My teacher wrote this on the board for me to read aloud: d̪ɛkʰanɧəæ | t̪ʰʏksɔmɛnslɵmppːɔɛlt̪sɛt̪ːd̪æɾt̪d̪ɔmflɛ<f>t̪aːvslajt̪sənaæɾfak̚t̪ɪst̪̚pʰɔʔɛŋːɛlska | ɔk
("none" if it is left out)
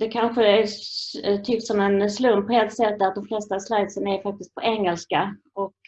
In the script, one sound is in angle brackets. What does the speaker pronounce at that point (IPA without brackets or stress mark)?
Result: s